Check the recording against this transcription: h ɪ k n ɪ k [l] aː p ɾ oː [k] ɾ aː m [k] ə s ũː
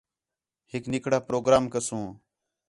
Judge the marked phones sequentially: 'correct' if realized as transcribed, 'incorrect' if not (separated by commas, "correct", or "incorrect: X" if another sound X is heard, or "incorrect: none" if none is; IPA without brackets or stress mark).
incorrect: ɽ, incorrect: ɡ, correct